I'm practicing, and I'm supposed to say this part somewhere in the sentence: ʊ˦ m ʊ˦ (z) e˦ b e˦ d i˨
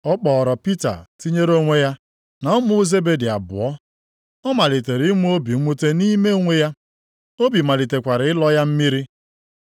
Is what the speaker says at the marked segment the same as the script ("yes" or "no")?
yes